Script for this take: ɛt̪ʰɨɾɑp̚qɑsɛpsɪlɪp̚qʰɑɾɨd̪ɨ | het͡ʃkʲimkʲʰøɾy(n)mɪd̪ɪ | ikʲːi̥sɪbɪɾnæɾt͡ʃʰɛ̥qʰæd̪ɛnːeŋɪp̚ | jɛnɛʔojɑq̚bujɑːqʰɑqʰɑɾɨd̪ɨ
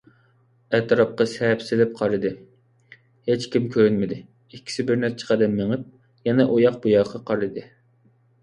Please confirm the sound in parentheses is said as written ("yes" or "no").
yes